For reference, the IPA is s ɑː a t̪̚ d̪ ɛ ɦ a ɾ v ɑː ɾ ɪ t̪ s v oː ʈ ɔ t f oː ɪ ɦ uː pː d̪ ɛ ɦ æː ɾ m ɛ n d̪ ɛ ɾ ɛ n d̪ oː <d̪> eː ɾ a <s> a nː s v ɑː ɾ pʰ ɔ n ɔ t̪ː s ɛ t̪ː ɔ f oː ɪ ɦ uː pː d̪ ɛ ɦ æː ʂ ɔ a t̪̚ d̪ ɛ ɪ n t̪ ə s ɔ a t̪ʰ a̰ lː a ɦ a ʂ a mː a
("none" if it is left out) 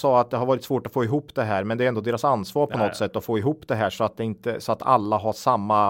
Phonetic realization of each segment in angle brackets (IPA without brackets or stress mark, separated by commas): d̪, s